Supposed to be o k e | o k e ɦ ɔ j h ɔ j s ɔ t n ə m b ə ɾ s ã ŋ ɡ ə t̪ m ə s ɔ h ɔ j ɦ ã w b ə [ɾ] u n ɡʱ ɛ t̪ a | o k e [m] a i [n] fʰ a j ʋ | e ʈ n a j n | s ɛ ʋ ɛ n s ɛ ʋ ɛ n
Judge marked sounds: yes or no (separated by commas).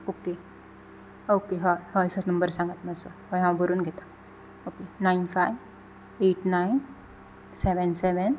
yes, no, yes